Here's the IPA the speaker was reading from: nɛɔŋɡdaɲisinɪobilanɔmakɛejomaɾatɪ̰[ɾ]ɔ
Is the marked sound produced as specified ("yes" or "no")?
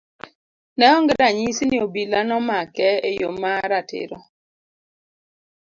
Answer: yes